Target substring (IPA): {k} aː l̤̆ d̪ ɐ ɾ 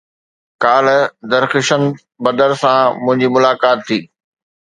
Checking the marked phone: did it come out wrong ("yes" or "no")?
no